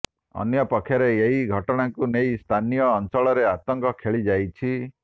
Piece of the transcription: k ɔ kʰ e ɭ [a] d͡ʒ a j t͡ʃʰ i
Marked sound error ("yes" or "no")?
yes